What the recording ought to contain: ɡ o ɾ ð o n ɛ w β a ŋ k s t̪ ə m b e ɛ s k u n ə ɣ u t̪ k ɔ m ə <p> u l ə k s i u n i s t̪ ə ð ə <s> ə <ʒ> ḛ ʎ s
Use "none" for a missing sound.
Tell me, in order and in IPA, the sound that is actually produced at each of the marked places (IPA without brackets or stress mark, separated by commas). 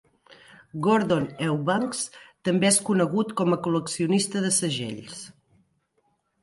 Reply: k, s, ʒ